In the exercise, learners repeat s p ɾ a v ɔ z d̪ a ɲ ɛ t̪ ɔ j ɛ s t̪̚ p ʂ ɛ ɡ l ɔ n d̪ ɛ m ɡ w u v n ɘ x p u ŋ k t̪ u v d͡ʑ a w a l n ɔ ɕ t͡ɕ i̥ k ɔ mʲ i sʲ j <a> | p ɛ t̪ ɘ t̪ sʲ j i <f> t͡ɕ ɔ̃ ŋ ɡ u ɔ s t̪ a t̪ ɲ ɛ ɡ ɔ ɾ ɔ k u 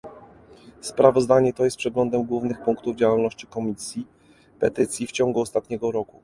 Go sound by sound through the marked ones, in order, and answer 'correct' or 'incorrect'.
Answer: incorrect, correct

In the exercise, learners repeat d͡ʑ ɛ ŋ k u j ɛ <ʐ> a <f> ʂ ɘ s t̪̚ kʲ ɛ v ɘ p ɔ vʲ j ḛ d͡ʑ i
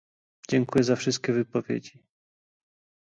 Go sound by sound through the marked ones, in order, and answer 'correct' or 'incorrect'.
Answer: incorrect, correct

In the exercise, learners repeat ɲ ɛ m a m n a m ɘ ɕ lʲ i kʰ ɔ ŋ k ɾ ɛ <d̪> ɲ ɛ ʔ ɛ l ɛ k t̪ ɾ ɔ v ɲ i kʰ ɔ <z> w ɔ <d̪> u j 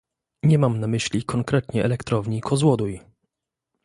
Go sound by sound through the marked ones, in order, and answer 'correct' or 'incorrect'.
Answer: incorrect, correct, correct

